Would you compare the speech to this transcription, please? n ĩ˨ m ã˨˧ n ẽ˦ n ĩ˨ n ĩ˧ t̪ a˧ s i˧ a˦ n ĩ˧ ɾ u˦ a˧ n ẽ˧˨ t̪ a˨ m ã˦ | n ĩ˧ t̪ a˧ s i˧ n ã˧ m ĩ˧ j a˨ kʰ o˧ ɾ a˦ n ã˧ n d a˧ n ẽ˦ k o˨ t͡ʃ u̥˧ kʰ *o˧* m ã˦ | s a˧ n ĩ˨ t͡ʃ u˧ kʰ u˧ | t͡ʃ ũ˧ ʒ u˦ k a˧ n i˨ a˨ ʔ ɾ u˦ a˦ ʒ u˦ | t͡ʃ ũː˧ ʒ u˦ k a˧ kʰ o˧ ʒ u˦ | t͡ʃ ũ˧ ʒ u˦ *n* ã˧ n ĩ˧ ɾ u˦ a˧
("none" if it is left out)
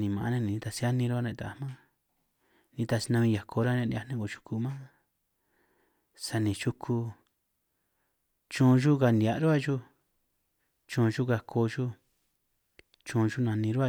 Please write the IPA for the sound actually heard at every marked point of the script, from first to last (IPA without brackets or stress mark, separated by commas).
u˧, n